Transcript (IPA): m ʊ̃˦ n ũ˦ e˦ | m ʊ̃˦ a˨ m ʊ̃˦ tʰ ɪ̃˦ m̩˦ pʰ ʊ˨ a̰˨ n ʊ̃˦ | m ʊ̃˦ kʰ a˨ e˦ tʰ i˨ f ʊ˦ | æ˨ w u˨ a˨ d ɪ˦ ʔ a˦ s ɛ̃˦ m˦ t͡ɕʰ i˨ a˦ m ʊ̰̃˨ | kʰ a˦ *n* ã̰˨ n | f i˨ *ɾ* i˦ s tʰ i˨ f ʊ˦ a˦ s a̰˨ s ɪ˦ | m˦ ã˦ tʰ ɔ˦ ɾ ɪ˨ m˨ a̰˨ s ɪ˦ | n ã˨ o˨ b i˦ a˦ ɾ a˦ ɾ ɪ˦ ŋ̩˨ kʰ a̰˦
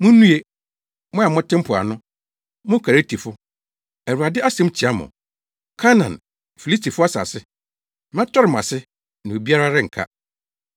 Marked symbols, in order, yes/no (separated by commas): yes, no